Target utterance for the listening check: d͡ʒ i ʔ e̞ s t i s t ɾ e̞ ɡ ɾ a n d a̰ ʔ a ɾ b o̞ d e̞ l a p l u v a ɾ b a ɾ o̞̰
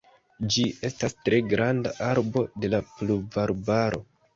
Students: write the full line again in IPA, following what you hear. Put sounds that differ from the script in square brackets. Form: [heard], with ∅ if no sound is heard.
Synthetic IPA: d͡ʒ i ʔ e̞ s t [a] s t ɾ e̞ ɡ ɾ a n d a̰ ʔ a ɾ b o̞ d e̞ l a p l u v a ɾ b a ɾ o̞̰

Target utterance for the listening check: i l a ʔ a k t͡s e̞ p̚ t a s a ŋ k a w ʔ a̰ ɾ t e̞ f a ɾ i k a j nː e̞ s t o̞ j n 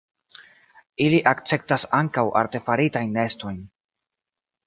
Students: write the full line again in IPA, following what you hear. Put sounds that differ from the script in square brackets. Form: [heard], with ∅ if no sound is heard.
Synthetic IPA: i l [i] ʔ a k t͡s e̞ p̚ t a s a ŋ k a w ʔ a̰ ɾ t e̞ f a ɾ i [t] a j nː e̞ s t o̞ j n

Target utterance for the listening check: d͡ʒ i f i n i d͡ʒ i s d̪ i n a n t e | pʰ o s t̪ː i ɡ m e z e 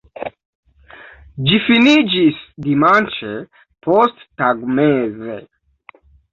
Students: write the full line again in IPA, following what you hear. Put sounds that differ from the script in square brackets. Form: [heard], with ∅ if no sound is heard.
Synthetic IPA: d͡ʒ i f i n i d͡ʒ i s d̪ i [m] a n [t͡ʃ] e | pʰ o s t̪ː [a] ɡ m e z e

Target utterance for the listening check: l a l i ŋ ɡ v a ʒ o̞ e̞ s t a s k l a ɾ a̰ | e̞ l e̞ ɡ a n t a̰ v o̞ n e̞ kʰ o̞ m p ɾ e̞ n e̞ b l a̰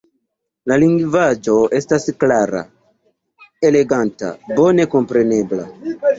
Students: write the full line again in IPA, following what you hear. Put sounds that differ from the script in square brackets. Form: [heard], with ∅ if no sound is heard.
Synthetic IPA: l a l i ŋ ɡ v a [d͡ʒ] o̞ e̞ s t a s k l a ɾ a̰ | e̞ l e̞ ɡ a n t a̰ [b] o̞ n e̞ [k] o̞ m p ɾ e̞ n e̞ b l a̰

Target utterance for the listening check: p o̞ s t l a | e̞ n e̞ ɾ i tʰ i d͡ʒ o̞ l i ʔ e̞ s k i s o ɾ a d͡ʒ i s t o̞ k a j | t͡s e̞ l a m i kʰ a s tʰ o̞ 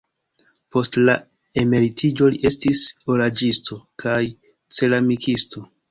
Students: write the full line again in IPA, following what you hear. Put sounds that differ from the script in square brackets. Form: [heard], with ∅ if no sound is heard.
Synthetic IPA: p o̞ s t l a | e̞ [m] e̞ ɾ i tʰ i d͡ʒ o̞ l i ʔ e̞ s [t] i s o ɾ a d͡ʒ i s t o̞ k a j | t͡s e̞ l a m i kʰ [i] s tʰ o̞

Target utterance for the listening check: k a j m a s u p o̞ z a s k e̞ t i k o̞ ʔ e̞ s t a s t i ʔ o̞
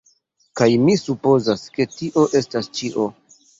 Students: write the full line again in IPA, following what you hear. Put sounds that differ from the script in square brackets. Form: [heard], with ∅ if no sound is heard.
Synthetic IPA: k a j m [i] s u p o̞ z a s k e̞ t i [ʔ] o̞ ʔ e̞ s t a s [t͡ʃ] i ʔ o̞

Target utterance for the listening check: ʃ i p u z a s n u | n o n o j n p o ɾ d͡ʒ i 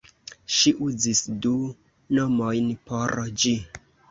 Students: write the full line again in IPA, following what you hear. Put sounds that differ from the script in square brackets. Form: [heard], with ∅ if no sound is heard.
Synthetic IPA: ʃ i [ʔ] u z [i] s [d] u | n o [m] o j n p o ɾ d͡ʒ i

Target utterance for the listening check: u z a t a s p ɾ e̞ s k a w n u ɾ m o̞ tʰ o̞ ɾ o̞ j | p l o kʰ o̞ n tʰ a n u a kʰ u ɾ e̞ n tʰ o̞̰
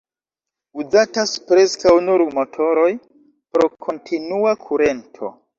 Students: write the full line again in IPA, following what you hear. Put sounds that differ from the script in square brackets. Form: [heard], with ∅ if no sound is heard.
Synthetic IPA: u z a t a s p ɾ e̞ s k a w n u ɾ m o̞ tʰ o̞ ɾ o̞ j | p [ɾ] o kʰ o̞ n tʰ [i] n u a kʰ u ɾ e̞ n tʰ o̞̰

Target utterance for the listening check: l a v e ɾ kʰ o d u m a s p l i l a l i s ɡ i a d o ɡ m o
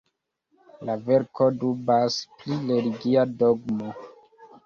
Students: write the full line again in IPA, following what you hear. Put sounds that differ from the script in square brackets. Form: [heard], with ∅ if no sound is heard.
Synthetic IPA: l a v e ɾ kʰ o d u [b] a s p l i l [e] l i [∅] ɡ i a d o ɡ m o

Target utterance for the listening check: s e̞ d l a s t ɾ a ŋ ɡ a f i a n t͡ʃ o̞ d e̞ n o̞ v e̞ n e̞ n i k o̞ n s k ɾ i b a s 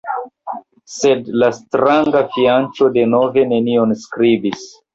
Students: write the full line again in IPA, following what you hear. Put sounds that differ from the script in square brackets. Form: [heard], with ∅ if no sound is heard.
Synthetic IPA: s e̞ d l a s t ɾ a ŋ ɡ a f i a n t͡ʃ o̞ d e̞ n o̞ v e̞ n e̞ n i [∅] o̞ n s k ɾ i b [i] s

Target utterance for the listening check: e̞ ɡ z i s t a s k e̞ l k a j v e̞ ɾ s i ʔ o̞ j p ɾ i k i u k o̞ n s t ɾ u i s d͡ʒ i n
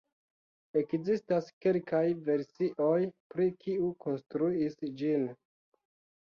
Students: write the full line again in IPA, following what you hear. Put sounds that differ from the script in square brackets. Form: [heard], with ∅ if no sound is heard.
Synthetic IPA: e̞ [k] z i s t a s k e̞ l k a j v e̞ ɾ s i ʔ o̞ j p ɾ i k i u k o̞ n s t ɾ u i s d͡ʒ i n

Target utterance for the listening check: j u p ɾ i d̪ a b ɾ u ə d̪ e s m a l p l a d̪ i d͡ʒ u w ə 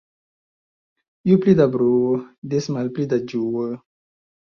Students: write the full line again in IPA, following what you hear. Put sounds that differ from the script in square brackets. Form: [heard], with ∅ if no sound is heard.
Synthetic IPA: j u p [l] i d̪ a b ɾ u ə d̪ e s m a l p l [i] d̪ [a] d͡ʒ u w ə

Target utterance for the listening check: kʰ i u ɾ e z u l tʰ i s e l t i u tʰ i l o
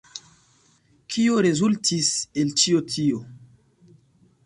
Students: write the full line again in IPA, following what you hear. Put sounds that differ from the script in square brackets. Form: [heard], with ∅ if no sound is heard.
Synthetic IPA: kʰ i [o] ɾ e z u l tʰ i s e l [t͡ʃ] i [o] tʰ i [∅] o

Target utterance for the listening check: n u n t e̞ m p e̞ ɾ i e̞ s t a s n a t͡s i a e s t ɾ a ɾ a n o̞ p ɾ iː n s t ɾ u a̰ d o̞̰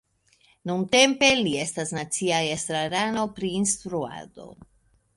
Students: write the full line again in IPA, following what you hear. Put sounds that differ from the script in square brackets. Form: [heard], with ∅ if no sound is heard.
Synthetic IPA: n u n t e̞ m p e̞ [l] i e̞ s t a s n a t͡s i a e s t ɾ a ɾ a n o̞ p ɾ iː n s t ɾ u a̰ d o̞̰

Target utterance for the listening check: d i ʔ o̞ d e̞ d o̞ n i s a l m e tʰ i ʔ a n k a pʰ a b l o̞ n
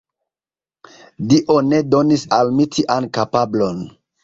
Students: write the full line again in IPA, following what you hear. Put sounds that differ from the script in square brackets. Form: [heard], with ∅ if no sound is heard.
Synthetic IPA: d i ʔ o̞ [n] e̞ d o̞ n i s a l m [i] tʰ i ʔ a n k a [p] a b l o̞ n

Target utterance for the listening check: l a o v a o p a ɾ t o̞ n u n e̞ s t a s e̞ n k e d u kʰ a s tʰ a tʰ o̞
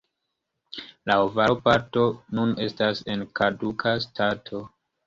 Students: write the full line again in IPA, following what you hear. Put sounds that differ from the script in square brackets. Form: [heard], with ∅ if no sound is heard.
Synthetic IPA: l a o v a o p a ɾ t o̞ n u n e̞ s t a s e̞ n k [a] d u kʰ a s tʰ a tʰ o̞

